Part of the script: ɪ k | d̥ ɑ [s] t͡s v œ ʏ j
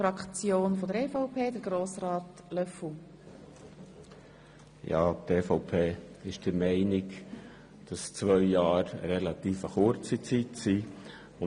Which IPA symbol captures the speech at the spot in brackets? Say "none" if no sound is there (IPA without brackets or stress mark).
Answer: s